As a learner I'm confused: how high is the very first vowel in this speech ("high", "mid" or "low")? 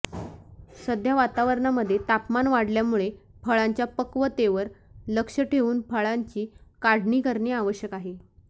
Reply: mid